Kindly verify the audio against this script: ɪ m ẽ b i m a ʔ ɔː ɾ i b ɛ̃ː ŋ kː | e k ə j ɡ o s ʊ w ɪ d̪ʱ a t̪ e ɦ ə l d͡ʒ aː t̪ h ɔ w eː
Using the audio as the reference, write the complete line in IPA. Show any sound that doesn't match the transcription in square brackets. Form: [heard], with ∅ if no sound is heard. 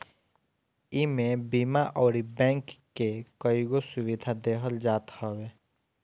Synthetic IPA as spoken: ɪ m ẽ b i m a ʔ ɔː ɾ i b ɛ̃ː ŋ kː | e k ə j ɡ o s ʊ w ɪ d̪ʱ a [d̪] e ɦ ə l d͡ʒ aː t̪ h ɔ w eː